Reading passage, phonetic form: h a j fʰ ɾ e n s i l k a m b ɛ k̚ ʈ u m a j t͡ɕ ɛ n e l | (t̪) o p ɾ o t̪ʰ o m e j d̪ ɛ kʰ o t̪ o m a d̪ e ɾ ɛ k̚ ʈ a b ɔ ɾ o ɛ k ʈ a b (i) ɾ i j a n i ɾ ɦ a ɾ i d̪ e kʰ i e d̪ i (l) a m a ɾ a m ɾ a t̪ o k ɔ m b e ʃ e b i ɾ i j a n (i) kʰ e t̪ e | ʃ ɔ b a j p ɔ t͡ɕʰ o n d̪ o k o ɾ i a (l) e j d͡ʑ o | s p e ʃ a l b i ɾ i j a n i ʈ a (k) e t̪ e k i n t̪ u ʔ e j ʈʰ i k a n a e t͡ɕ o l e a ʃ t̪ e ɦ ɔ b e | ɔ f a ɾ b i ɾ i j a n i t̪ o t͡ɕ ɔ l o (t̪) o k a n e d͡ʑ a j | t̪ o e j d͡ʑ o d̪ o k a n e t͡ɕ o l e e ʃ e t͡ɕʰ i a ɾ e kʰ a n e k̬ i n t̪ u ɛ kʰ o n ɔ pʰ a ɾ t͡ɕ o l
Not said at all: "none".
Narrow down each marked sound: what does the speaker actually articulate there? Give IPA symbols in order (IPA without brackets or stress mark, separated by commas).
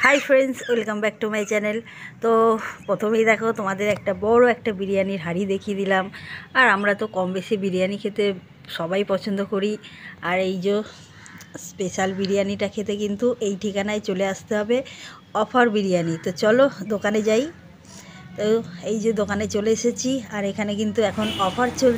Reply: t̪, i, l, i, ɾ, kʰ, d̪